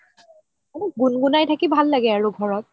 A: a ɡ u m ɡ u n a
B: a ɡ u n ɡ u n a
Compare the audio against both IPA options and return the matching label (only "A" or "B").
B